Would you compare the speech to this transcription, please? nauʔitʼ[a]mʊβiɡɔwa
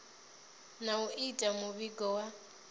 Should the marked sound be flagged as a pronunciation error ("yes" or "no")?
no